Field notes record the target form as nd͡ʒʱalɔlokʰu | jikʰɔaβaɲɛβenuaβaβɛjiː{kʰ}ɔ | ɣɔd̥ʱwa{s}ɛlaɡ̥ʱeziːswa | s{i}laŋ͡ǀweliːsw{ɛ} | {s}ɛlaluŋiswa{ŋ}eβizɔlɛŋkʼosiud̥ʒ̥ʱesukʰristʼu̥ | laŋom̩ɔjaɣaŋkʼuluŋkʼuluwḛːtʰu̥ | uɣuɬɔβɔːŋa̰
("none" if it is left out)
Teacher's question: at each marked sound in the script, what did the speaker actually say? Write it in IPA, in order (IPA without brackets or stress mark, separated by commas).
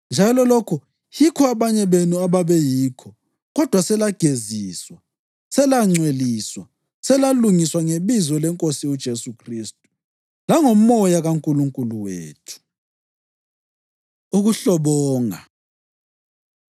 kʰ, s, ɛ, a, s, ŋ